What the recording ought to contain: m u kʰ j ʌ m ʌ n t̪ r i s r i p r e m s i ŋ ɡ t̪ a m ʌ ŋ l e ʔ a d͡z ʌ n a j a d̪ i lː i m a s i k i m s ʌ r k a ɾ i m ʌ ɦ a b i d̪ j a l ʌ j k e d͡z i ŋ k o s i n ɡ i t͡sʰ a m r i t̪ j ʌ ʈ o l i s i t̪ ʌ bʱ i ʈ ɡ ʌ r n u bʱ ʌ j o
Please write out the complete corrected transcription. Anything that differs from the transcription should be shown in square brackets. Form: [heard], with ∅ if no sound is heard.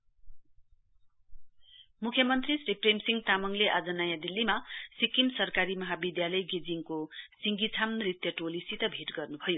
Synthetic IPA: m u kʰ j ʌ m ʌ n t̪ r i s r i p r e m s i ŋ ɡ t̪ a m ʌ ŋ l e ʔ a d͡z ʌ n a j a d̪ i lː i m a s i k i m s ʌ r k a ɾ i m ʌ ɦ a b i d̪ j a l ʌ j [ɡ] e d͡z i ŋ k o s i [ŋ] ɡ i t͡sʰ a m r i t̪ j ʌ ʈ o l i s i t̪ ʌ bʱ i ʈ ɡ ʌ r n u bʱ ʌ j o